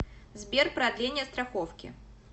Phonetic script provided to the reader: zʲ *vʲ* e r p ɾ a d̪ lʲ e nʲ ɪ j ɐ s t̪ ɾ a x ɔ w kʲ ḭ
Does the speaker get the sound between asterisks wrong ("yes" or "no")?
yes